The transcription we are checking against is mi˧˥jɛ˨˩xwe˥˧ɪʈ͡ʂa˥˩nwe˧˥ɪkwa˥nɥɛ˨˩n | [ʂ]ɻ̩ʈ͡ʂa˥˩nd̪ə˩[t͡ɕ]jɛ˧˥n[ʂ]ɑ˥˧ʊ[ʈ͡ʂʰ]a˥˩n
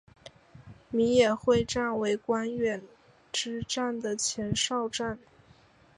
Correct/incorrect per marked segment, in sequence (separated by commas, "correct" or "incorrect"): incorrect, incorrect, correct, incorrect